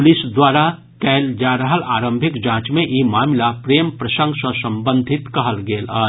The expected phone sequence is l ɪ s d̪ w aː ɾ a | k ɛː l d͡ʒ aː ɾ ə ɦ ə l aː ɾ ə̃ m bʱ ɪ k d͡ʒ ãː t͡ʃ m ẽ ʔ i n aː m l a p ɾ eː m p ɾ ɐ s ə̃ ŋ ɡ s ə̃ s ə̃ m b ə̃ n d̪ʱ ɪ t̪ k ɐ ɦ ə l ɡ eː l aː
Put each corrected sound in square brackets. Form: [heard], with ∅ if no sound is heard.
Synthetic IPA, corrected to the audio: l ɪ s d̪ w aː ɾ a | k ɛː l d͡ʒ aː ɾ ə ɦ ə l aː ɾ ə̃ m bʱ ɪ k d͡ʒ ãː t͡ʃ m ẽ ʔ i [m] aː m l a p ɾ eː m p ɾ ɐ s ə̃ ŋ ɡ s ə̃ s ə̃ m b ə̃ n d̪ʱ ɪ t̪ k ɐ ɦ ə l ɡ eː l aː